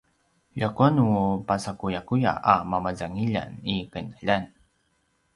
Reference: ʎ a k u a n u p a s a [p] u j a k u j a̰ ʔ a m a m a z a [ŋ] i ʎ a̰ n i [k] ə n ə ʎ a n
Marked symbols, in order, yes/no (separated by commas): no, yes, yes